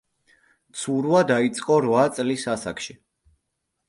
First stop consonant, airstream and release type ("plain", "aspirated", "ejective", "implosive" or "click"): plain